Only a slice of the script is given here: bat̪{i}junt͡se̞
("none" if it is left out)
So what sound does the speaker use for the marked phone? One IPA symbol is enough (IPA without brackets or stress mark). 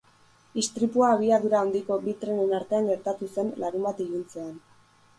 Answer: i